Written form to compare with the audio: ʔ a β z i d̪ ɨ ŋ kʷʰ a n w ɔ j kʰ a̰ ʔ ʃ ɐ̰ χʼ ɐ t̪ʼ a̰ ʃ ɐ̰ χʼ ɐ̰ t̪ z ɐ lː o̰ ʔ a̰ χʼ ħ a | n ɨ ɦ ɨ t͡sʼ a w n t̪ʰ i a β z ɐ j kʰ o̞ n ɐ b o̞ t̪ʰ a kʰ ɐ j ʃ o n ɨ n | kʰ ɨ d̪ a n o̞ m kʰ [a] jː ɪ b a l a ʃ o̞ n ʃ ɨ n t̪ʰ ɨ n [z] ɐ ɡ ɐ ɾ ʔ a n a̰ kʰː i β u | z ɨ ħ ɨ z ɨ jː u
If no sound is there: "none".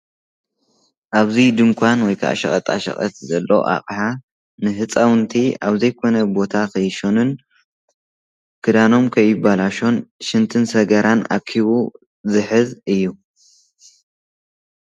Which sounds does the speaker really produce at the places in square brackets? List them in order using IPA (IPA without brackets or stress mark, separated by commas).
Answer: ɐ, s